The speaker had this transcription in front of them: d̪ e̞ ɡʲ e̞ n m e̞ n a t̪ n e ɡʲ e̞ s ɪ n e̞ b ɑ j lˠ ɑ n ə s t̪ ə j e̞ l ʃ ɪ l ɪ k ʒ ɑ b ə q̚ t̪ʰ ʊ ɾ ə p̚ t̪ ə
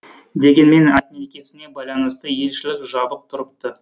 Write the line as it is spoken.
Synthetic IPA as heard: d̪ e̞ ɡʲ e̞ n m e̞ n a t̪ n e kʲ e̞ s ɪ n e̞ b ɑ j lˠ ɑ n ə s t̪ ə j e̞ l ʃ ɪ l ɪ k ʒ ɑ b ə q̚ t̪ʰ ʊ ɾ ə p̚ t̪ ə